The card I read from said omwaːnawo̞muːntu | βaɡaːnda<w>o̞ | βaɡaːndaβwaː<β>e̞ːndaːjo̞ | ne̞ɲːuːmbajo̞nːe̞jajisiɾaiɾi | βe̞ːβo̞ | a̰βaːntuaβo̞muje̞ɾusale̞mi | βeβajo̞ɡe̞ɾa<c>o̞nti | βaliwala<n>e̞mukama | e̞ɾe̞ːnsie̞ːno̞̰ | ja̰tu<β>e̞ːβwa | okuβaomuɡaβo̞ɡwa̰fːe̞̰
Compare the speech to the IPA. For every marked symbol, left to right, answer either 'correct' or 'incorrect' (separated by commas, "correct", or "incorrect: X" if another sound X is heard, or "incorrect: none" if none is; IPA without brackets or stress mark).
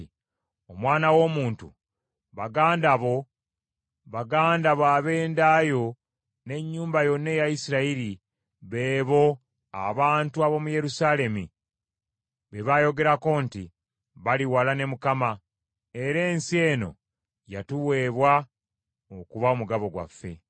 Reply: incorrect: β, correct, incorrect: k, correct, incorrect: w